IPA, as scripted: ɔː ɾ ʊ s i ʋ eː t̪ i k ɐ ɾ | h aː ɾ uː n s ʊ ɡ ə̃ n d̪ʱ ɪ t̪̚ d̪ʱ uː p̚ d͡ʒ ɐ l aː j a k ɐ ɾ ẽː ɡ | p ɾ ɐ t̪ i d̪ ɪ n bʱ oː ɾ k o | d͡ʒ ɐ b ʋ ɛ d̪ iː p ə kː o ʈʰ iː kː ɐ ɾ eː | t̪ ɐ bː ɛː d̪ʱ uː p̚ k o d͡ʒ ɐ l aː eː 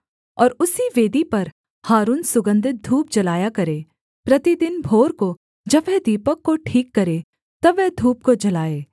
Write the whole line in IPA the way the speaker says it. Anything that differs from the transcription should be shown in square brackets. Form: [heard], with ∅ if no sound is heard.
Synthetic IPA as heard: ɔː ɾ ʊ s i ʋ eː [d̪] i [p] ɐ ɾ | h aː ɾ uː n s ʊ ɡ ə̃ n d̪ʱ ɪ t̪̚ d̪ʱ uː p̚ d͡ʒ ɐ l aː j a k ɐ ɾ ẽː [∅] | p ɾ ɐ t̪ i d̪ ɪ n bʱ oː ɾ k o | d͡ʒ ɐ b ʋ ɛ d̪ iː p ə kː o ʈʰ iː kː ɐ ɾ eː | t̪ ɐ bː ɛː d̪ʱ uː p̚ k o d͡ʒ ɐ l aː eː